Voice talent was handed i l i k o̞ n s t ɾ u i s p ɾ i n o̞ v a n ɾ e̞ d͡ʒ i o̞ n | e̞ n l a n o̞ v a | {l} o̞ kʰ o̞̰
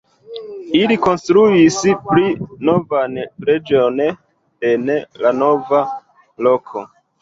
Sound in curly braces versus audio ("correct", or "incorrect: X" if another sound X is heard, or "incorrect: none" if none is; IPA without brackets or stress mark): correct